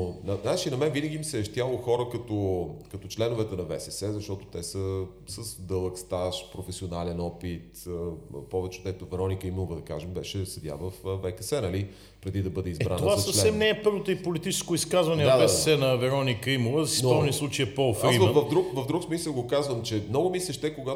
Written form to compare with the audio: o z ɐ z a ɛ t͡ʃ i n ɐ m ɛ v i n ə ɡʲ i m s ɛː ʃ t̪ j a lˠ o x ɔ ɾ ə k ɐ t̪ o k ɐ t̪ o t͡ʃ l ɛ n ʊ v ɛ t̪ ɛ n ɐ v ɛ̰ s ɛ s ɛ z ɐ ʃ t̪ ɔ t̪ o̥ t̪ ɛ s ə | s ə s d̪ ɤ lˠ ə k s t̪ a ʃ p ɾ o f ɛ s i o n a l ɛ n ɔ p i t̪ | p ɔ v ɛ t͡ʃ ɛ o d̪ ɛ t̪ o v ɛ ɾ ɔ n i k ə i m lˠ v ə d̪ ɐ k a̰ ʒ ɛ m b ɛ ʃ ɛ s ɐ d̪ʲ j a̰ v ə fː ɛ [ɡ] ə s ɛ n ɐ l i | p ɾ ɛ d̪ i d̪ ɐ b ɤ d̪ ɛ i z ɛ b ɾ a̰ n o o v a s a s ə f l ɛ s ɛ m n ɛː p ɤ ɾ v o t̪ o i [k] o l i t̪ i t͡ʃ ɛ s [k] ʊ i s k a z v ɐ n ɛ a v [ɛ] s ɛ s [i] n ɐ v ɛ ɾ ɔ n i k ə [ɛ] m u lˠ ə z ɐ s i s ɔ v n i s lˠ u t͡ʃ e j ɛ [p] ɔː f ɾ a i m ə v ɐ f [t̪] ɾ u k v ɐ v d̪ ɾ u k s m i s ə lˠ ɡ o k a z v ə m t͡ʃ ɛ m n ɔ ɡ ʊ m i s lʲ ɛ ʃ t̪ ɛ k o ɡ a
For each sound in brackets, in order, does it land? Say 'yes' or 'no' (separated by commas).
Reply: no, no, yes, yes, no, no, yes, no